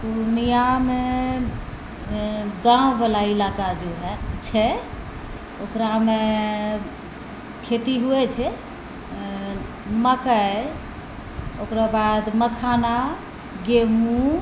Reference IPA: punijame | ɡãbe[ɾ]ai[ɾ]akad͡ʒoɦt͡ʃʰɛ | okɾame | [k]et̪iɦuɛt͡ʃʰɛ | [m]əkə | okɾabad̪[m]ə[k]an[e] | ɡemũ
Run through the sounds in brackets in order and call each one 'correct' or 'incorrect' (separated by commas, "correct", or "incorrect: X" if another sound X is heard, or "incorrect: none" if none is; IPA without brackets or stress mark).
incorrect: l, incorrect: l, incorrect: kʰ, correct, correct, incorrect: kʰ, incorrect: a